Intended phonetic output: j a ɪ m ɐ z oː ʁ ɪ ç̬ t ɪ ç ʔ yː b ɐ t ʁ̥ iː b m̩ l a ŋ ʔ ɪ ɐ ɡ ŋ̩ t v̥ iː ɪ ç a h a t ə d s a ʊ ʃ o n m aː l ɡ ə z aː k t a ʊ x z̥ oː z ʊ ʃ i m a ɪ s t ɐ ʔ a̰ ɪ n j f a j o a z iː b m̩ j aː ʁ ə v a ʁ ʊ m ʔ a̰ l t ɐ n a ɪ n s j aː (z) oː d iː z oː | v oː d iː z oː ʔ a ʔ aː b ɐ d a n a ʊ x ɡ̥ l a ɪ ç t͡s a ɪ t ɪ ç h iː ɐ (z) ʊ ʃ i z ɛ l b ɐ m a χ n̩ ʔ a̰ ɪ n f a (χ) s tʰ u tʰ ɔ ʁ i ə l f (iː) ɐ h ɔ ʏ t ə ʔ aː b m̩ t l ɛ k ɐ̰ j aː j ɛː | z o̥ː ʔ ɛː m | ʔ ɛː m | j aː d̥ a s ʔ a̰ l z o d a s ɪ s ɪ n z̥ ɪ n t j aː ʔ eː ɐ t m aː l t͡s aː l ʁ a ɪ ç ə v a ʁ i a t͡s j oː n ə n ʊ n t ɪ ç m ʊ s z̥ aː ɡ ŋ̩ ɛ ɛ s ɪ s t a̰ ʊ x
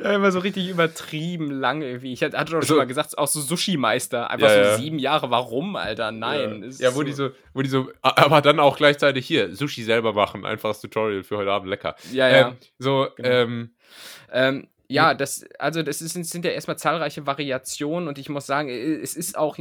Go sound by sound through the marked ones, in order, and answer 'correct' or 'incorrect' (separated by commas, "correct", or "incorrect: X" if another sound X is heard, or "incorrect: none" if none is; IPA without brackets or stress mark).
incorrect: v, correct, correct, incorrect: yː